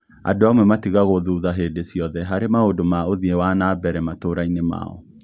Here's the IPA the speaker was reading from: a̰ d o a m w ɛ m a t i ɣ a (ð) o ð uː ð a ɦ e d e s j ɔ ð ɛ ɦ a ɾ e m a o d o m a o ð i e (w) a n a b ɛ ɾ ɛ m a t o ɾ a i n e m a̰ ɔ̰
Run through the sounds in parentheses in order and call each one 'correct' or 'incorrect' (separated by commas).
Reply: incorrect, correct